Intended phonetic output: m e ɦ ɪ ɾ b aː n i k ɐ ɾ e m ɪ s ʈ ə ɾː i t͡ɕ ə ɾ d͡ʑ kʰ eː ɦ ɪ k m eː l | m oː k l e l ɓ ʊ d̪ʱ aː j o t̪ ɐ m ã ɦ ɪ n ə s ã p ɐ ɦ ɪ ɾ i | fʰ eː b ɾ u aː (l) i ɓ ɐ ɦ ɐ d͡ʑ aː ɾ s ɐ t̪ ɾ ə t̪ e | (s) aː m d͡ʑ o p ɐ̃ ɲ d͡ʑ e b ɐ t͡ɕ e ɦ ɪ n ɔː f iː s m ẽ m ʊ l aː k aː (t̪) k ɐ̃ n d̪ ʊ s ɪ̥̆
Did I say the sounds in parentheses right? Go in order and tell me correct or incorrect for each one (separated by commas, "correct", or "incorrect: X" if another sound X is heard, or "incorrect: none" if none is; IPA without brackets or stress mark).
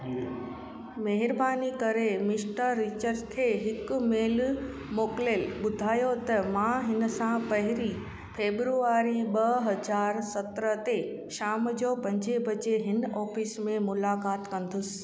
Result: incorrect: ɾ, incorrect: ʃ, correct